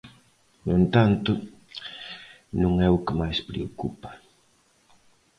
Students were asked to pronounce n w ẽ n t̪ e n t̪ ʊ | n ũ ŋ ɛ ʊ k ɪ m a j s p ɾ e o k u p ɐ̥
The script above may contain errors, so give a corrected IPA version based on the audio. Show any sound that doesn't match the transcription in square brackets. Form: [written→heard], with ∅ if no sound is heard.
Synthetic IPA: n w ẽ n t̪ [e→a] n t̪ ʊ | n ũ ŋ ɛ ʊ k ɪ m a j s p ɾ e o k u p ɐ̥